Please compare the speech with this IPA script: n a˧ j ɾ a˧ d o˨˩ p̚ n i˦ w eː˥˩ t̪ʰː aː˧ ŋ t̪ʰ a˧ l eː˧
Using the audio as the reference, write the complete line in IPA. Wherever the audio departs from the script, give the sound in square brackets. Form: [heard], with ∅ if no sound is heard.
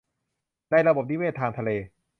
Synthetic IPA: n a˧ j ɾ a˧ [b] o˨˩ p̚ n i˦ w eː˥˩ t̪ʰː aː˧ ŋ t̪ʰ a˧ l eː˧